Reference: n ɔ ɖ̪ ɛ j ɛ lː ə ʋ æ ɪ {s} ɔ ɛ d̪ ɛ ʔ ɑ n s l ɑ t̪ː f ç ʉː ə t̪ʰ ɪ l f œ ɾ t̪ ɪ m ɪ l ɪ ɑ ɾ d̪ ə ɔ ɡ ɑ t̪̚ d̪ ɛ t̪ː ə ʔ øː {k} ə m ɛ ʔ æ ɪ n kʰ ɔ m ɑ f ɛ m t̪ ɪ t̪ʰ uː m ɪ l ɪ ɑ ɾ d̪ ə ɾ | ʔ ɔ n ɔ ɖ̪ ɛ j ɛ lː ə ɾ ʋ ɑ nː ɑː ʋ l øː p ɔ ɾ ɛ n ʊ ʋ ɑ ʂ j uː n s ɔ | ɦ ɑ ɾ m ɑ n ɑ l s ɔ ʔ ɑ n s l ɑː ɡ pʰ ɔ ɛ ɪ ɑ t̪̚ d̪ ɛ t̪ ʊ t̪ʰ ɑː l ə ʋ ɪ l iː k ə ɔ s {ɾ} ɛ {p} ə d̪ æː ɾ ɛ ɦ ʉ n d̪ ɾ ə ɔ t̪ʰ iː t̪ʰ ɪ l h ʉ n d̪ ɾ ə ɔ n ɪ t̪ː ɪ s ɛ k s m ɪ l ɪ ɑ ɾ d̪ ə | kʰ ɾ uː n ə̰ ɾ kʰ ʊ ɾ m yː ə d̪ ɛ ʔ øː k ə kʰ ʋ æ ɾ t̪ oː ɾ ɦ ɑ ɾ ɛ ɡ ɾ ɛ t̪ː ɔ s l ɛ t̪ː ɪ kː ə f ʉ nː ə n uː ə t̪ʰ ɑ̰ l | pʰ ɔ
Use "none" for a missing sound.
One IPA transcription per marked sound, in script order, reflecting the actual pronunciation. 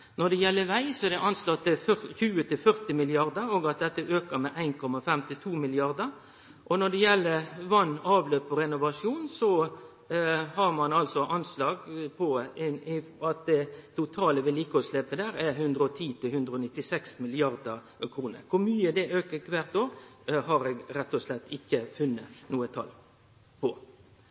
s, k, l, p

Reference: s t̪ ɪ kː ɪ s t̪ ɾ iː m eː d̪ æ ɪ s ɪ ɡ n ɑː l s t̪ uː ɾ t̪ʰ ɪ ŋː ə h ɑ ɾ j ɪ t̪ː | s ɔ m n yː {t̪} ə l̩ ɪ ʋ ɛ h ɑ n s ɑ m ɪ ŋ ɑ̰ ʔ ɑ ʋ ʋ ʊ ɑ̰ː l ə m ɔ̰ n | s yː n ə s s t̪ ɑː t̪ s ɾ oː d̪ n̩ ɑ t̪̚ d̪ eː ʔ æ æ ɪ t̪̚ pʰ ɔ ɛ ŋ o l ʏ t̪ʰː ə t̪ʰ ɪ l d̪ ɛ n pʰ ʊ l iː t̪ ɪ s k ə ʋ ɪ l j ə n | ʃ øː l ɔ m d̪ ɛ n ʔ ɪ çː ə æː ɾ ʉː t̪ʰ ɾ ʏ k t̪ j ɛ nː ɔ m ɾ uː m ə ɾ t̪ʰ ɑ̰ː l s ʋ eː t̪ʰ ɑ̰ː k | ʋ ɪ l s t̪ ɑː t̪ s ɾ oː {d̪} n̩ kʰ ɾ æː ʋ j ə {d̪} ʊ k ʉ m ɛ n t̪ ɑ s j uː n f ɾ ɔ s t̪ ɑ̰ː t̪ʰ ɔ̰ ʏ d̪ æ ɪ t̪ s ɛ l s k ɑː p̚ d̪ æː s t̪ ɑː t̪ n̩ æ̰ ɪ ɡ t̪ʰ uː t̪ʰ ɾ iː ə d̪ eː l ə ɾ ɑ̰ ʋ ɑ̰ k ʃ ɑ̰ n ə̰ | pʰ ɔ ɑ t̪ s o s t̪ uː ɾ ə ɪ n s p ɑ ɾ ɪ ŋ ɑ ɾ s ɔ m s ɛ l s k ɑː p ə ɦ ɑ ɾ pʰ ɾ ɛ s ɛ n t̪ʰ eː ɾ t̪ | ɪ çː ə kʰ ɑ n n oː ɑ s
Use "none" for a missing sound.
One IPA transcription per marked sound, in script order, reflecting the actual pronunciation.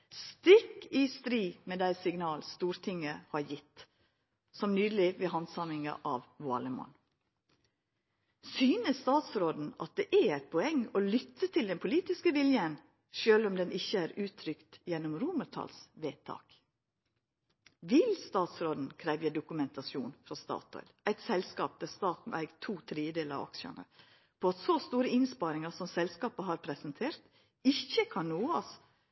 d̪, d̪, d̪

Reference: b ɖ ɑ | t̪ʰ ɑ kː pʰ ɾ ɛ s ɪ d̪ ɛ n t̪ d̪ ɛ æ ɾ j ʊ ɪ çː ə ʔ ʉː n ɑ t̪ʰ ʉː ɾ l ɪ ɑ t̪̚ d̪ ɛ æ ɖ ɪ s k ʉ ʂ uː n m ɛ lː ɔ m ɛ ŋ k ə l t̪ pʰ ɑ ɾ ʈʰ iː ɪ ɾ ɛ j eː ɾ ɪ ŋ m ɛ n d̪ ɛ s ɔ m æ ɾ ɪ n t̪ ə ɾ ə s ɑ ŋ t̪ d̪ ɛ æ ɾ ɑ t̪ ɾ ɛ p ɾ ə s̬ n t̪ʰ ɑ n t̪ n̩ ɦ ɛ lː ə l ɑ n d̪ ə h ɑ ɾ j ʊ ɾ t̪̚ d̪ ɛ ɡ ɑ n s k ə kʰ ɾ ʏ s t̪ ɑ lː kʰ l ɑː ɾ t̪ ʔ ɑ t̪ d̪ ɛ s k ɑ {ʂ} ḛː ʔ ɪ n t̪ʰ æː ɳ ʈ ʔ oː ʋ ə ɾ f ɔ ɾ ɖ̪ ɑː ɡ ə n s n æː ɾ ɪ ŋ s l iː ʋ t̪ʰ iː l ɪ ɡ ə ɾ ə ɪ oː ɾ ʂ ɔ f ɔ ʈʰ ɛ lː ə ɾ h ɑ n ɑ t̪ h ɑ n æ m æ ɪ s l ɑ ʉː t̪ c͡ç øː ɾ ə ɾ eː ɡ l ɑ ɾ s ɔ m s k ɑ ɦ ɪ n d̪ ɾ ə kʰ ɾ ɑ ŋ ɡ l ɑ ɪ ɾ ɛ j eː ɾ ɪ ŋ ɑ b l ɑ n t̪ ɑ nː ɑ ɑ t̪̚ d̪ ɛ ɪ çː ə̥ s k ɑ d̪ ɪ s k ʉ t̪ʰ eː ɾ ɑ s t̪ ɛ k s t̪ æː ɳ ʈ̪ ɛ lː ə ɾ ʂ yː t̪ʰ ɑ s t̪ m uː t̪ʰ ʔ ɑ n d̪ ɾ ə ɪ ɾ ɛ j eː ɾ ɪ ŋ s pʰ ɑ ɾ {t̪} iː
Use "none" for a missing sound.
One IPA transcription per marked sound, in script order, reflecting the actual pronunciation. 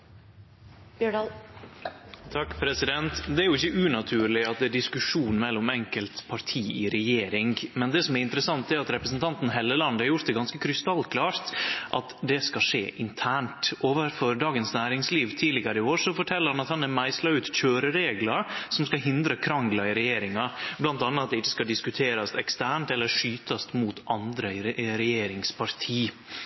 ʂ, t̪ʰ

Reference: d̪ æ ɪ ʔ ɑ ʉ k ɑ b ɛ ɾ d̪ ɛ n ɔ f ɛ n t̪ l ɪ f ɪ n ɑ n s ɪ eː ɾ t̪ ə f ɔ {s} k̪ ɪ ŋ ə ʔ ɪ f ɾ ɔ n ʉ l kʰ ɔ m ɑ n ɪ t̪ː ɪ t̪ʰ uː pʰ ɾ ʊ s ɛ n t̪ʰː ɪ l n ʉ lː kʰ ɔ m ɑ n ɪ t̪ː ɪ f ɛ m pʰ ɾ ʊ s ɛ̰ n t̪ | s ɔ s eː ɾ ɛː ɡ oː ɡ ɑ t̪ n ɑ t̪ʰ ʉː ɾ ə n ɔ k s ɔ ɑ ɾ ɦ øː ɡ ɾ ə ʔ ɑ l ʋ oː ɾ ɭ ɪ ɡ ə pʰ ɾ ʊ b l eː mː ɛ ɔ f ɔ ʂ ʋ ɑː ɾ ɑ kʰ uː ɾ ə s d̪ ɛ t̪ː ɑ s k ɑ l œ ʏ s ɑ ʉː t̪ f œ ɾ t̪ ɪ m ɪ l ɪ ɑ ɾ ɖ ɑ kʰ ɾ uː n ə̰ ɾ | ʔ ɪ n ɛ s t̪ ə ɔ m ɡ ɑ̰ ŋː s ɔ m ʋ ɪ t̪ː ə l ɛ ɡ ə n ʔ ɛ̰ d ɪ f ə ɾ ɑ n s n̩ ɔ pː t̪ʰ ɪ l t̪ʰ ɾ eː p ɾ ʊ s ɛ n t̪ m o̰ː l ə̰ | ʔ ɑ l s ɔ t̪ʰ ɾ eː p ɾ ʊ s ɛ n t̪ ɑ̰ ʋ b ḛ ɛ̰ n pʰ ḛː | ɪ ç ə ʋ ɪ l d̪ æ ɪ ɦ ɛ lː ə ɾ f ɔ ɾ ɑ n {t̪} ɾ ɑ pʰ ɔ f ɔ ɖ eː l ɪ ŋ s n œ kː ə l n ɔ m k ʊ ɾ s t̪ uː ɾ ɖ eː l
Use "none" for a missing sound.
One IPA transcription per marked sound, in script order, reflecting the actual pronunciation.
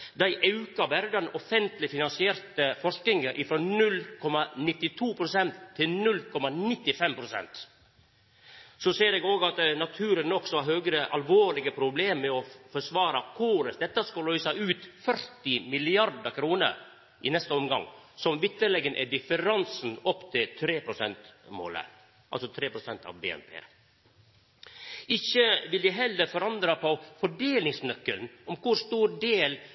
ʂ, d̪

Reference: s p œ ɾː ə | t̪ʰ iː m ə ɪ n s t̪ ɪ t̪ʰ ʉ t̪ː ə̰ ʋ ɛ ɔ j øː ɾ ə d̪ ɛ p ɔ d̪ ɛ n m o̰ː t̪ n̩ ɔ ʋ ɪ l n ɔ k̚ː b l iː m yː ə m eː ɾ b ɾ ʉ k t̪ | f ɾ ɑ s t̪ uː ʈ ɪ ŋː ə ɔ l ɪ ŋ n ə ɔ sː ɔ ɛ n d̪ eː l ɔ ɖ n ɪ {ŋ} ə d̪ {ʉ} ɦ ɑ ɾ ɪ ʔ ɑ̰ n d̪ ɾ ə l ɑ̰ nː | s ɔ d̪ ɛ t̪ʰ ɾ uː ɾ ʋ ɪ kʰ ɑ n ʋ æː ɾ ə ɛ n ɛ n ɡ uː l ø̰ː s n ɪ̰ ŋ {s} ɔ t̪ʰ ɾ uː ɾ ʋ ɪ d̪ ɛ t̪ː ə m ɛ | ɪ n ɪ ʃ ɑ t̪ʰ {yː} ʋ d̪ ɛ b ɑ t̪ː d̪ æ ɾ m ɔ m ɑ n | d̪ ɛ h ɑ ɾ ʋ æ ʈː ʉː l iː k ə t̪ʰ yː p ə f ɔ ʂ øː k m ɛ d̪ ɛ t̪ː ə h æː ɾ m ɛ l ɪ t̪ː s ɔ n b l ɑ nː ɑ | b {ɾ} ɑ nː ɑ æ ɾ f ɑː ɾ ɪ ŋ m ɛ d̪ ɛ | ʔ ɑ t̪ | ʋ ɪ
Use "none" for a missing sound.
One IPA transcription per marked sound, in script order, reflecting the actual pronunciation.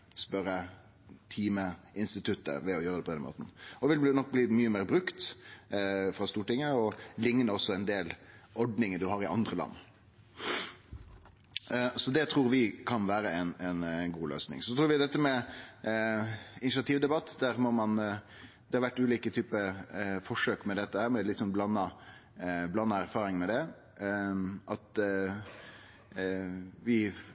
ŋ, ʉ, s, iː, l

